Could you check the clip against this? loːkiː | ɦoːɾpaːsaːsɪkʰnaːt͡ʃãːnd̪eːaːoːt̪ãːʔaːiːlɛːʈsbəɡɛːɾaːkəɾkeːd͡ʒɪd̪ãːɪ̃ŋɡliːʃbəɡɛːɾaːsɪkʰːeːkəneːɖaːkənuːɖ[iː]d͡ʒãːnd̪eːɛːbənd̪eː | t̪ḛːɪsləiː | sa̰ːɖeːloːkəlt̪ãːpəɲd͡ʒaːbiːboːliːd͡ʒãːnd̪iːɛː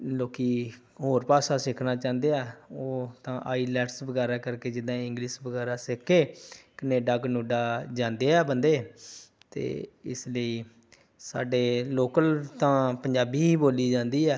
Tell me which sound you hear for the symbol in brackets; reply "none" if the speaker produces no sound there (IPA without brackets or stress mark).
aː